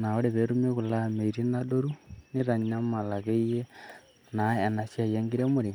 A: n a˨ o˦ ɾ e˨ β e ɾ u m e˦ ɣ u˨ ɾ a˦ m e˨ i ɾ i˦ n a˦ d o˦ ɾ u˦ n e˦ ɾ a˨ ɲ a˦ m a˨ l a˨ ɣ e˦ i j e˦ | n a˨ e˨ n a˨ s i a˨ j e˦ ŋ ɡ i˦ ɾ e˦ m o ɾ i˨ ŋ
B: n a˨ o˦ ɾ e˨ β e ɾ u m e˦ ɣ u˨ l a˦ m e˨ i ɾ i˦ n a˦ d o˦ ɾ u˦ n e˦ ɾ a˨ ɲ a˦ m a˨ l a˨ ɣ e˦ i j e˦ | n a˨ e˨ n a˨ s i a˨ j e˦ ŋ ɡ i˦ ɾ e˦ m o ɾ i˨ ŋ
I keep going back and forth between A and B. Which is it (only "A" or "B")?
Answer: B